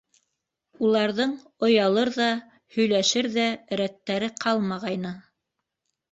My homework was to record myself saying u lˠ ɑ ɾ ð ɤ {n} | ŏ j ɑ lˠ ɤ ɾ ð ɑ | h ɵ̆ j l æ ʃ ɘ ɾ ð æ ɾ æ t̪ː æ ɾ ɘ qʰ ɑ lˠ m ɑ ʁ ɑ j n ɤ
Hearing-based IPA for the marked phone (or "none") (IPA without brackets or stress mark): ɴ